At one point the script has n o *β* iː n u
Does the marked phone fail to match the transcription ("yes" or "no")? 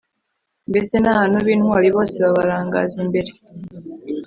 no